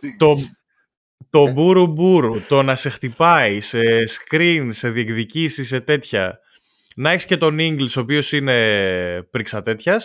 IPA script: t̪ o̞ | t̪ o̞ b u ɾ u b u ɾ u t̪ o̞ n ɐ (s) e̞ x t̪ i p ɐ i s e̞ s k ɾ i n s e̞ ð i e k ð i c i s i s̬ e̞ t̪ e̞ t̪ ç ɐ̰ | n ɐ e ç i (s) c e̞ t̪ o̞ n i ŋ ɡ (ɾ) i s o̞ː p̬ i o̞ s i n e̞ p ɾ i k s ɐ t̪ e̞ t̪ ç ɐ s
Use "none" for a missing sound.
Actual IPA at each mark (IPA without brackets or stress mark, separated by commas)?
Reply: s, s, l